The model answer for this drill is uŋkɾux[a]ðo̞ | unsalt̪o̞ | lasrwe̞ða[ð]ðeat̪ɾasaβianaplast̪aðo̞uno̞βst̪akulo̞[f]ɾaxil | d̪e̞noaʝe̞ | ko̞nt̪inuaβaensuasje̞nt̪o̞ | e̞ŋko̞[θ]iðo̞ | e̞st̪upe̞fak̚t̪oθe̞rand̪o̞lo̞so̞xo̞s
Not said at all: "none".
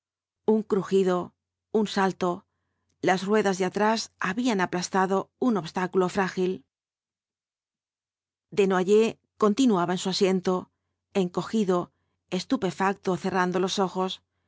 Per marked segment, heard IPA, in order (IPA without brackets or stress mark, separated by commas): i, z, f, x